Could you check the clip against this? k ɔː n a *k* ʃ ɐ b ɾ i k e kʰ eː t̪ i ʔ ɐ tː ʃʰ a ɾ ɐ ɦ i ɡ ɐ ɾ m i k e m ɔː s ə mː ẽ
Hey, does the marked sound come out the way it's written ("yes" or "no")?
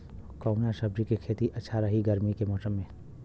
no